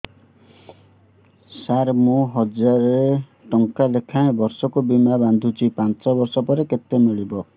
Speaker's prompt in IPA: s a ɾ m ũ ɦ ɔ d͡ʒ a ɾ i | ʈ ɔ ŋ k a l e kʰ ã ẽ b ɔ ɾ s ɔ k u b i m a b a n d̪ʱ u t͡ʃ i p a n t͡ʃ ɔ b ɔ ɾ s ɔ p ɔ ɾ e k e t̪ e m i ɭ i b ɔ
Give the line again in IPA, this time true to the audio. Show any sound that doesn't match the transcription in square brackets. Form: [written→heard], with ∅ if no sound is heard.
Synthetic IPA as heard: s a ɾ m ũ ɦ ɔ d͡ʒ a ɾ [i→e] | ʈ ɔ ŋ k a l e kʰ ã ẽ b ɔ ɾ s ɔ k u b i m a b a n d̪ʱ u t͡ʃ i p a n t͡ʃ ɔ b ɔ ɾ s ɔ p ɔ ɾ e k e t̪ e m i ɭ i b ɔ